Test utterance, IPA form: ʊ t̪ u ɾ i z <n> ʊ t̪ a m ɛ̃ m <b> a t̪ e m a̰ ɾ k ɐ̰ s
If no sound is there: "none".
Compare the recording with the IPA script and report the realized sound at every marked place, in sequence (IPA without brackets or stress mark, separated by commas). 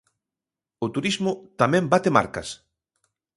m, b